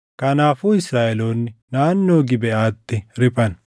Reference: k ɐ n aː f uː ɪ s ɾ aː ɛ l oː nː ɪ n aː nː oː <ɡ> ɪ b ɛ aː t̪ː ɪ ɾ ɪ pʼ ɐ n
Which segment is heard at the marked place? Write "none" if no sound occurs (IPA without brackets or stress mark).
ɡ